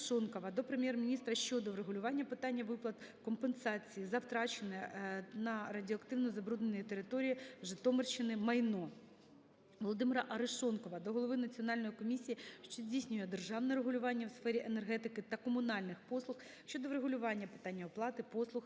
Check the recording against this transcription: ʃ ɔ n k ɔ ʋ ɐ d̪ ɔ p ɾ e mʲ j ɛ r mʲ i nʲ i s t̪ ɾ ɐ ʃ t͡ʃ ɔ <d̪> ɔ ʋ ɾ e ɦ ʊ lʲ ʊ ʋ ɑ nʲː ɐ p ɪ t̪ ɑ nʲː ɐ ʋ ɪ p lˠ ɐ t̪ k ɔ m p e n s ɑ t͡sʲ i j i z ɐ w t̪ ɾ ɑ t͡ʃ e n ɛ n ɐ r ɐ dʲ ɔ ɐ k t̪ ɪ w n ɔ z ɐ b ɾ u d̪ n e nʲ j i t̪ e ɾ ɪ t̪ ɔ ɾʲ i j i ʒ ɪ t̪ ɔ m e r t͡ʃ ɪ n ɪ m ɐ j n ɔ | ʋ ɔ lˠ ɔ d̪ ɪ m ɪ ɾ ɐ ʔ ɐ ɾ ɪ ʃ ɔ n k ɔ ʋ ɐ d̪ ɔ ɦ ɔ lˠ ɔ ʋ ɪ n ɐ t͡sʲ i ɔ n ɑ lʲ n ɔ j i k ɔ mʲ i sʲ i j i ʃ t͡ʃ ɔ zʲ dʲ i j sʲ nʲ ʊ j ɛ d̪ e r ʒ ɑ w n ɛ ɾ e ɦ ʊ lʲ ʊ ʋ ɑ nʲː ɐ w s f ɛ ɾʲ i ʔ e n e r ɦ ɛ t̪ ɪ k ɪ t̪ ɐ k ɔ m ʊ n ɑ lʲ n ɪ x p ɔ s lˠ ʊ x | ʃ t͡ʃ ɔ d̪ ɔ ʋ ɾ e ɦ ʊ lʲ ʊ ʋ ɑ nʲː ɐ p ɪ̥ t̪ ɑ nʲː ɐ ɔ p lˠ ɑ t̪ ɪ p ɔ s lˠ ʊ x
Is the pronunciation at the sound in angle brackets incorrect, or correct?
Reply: correct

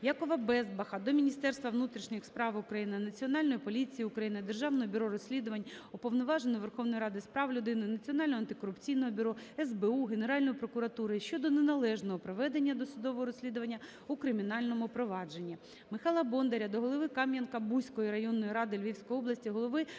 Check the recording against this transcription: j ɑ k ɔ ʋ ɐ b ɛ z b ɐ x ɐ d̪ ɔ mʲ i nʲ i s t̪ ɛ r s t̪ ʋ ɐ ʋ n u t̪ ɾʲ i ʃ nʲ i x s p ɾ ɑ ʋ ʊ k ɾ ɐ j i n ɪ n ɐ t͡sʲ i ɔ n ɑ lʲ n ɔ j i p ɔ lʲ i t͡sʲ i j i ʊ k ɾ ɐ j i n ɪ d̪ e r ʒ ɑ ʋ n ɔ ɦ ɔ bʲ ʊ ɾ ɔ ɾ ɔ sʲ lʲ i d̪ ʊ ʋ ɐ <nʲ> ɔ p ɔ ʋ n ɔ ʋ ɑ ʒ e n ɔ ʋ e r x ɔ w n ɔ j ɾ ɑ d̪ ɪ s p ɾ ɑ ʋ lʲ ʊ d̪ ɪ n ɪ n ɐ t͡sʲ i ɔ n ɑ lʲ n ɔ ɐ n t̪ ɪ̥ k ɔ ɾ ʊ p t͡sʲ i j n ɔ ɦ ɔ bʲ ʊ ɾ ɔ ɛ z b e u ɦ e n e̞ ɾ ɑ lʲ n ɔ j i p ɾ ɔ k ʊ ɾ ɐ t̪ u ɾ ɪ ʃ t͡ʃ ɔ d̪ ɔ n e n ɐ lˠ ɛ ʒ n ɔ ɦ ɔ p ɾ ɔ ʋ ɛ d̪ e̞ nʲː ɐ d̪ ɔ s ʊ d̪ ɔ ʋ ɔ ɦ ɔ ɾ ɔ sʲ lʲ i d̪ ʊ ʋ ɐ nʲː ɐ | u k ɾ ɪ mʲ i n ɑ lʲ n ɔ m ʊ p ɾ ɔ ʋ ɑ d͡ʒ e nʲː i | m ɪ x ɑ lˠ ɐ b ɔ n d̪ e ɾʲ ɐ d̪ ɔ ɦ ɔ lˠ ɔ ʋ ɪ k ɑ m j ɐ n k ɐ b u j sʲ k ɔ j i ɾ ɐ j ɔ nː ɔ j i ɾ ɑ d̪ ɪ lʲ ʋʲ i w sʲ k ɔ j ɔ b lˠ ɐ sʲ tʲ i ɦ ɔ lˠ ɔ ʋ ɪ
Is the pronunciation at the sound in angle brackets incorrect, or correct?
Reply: correct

